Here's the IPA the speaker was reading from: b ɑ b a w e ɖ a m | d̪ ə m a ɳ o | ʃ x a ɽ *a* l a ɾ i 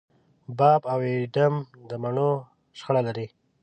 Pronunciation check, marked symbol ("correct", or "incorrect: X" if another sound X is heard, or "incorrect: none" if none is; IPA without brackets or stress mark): correct